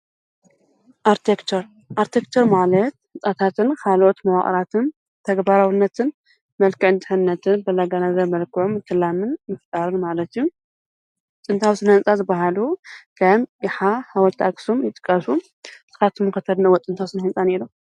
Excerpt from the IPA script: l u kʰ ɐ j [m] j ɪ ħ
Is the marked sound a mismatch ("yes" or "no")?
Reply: no